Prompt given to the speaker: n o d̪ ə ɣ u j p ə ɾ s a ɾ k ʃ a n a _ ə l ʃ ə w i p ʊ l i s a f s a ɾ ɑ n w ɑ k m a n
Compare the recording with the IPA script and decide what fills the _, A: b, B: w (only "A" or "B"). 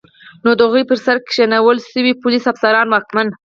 B